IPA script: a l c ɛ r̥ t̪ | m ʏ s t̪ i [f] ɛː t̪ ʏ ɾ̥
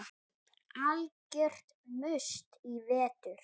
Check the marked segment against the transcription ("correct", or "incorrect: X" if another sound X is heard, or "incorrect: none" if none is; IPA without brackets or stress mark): incorrect: v